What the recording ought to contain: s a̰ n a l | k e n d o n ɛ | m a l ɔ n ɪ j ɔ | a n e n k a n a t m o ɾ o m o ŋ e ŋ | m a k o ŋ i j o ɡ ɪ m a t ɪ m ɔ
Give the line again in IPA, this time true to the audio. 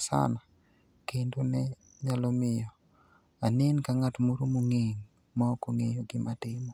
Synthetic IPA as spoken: s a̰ n a | k e n d o n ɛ | ɲ a l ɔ m ɪ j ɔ | a n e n k a ŋ a t m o ɾ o m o ŋ e ŋ | m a k o ŋ e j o ɡ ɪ m a t ɪ m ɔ